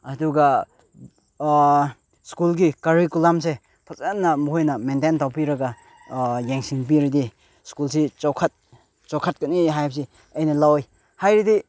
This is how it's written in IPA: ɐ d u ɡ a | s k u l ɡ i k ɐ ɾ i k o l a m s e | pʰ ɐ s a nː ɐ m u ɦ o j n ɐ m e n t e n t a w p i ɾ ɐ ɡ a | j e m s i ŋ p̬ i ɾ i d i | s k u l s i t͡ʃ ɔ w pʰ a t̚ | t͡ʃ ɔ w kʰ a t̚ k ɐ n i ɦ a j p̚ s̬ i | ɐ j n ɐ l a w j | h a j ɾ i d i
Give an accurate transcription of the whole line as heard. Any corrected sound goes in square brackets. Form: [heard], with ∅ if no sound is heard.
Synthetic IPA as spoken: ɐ d u ɡ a | s k u l ɡ i k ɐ ɾ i k [u] l a m s e | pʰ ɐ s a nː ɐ m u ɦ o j n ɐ m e n t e n t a w p i ɾ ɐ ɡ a | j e [ŋ] s i ŋ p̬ i ɾ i d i | s k u l s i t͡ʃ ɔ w [kʰ] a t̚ | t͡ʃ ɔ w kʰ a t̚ k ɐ n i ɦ a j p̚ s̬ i | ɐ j n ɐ l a w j | h a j ɾ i d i